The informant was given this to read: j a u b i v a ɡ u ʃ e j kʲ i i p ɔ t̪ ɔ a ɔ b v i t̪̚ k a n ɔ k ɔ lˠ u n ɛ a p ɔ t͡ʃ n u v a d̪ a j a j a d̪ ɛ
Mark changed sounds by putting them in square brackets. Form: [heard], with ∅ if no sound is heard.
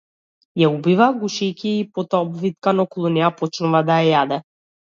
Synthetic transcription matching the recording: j a u b i v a ɡ u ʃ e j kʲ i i p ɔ t̪ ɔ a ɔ b v i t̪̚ k a n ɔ k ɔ lˠ u n ɛ a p ɔ t͡ʃ n u v a d̪ a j a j a d̪ ɛ

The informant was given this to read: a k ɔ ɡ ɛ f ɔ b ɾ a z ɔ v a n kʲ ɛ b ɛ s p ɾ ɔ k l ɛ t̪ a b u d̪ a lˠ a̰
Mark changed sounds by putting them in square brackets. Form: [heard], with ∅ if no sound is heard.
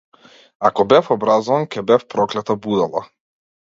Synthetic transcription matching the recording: a k ɔ [b] ɛ f ɔ b ɾ a z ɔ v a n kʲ ɛ b ɛ [f] p ɾ ɔ k l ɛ t̪ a b u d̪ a lˠ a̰

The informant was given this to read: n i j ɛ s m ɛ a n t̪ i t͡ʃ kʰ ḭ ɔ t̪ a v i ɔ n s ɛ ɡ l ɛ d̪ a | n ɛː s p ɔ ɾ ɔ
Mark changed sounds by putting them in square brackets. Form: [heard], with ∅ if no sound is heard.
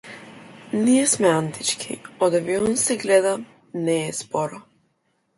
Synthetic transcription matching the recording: n i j ɛ s m ɛ a n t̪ i t͡ʃ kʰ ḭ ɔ [d̪] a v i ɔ n s ɛ ɡ l ɛ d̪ a | n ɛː s p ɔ ɾ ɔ

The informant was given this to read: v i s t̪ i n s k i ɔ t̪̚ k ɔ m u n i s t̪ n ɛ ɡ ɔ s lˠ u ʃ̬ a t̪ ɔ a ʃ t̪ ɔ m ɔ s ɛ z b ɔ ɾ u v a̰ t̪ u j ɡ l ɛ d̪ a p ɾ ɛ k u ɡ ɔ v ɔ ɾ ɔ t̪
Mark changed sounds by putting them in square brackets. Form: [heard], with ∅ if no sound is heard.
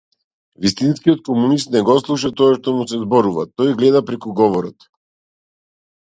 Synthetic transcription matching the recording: v i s t̪ i n s k i ɔ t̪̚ k ɔ m u n i s t̪ n ɛ ɡ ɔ s lˠ u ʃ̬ a t̪ ɔ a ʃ t̪ ɔ m [u] s ɛ z b ɔ ɾ u v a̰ t̪ [ɔ] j ɡ l ɛ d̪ a p ɾ ɛ k u ɡ ɔ v ɔ ɾ ɔ t̪

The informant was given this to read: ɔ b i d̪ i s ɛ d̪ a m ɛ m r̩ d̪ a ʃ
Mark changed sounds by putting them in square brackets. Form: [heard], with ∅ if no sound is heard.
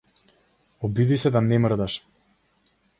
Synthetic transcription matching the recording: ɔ b i d̪ i s ɛ d̪ a [n] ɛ m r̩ d̪ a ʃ

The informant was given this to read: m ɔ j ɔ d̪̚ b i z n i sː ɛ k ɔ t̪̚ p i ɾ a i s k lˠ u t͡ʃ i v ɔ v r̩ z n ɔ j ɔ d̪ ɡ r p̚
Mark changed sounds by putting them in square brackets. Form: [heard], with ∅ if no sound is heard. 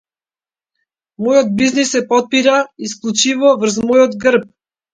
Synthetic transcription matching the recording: m ɔ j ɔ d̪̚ b i z n i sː ɛ [p] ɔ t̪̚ p i ɾ a i s k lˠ u t͡ʃ i v ɔ v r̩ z [m] ɔ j ɔ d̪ ɡ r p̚

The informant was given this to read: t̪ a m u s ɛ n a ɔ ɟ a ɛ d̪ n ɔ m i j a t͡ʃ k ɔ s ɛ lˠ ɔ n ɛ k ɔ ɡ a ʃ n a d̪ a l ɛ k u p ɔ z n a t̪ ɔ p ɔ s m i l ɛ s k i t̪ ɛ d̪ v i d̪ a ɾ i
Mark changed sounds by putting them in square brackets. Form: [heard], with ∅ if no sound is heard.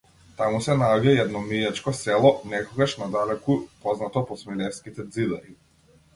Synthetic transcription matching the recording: t̪ a m u s ɛ n a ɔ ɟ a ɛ d̪ n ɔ m i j a t͡ʃ k ɔ s ɛ lˠ ɔ n ɛ k ɔ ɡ a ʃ n a d̪ a l ɛ k u p ɔ z n a t̪ ɔ p ɔ s m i l ɛ s k i t̪ ɛ d̪ [z] i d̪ a ɾ i

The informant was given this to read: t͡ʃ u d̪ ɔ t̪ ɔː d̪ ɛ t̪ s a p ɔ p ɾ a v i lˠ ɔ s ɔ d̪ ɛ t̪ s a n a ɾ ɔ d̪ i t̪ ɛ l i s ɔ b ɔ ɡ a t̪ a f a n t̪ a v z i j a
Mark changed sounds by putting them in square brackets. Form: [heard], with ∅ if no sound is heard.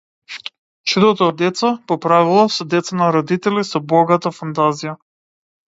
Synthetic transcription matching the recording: t͡ʃ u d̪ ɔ t̪ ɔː d̪ ɛ t̪ s a p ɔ p ɾ a v i lˠ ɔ s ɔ d̪ ɛ t̪ s a n a ɾ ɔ d̪ i t̪ ɛ l i s ɔ b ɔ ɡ a t̪ a f a n t̪ a [∅] z i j a

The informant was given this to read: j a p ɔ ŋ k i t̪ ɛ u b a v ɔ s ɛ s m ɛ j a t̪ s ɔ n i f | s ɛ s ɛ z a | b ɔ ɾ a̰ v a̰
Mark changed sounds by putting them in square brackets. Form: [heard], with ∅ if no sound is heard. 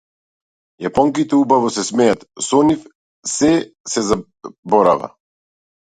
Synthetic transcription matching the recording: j a p ɔ ŋ k i t̪ ɛ u b a v ɔ s ɛ s m ɛ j a t̪ s ɔ n i f | s ɛ s ɛ z a | b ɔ ɾ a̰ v a̰

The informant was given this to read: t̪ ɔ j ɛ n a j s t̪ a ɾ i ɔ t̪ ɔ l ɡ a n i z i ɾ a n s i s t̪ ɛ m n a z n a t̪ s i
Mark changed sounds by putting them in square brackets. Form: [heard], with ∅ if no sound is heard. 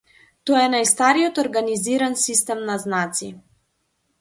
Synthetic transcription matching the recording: t̪ ɔ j ɛ n a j s t̪ a ɾ i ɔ t̪ ɔ [ɾ] ɡ a n i z i ɾ a n s i s t̪ ɛ m n a z n a t̪ s i

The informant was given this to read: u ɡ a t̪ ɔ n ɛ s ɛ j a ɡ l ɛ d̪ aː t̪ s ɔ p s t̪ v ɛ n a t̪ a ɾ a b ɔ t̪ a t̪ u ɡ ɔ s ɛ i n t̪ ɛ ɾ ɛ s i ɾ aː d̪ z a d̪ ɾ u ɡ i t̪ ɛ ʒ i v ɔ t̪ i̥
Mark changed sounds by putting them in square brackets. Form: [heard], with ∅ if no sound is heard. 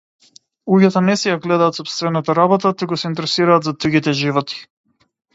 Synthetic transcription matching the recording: u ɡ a t̪ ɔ n ɛ s ɛ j a ɡ l ɛ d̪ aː t̪ s ɔ p s t̪ v ɛ n a t̪ a ɾ a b ɔ t̪ a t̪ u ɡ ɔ s ɛ i n t̪ ɛ ɾ ɛ s i ɾ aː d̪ z a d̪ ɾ u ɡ i t̪ ɛ ʒ i v ɔ t̪ i̥

